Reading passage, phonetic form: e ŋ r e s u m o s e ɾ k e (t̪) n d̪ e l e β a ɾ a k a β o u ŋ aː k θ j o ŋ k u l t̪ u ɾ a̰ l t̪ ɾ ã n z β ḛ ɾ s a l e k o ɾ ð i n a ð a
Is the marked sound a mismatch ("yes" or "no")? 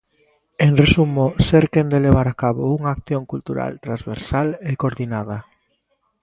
yes